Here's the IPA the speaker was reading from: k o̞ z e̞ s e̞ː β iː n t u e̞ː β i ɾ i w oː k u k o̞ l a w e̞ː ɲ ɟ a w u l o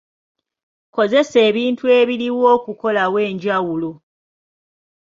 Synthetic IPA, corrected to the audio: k o̞ z e̞ s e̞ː β iː n t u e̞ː β i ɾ i w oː k u k o̞ l a w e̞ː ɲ ɟ a w u l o